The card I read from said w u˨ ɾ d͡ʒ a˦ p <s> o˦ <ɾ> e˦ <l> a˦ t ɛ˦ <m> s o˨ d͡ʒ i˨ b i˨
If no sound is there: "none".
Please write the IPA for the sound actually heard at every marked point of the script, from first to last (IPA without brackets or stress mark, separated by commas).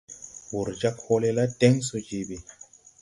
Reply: h, l, l, ŋ